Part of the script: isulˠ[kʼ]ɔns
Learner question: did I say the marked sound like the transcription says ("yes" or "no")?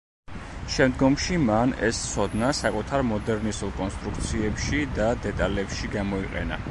yes